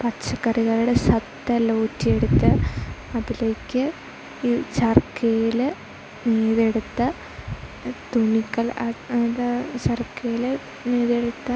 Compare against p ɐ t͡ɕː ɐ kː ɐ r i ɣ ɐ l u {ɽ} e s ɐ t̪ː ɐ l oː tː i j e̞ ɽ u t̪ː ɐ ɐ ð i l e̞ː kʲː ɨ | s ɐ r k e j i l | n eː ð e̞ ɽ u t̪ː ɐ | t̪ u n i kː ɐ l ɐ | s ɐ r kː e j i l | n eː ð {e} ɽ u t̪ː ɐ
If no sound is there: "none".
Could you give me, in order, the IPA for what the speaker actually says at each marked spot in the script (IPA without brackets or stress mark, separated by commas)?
ɽ, e